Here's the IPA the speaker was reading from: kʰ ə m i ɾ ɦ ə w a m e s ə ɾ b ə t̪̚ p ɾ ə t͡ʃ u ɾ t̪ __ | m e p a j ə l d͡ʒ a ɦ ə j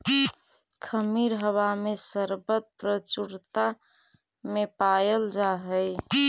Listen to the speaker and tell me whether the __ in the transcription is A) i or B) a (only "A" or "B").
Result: B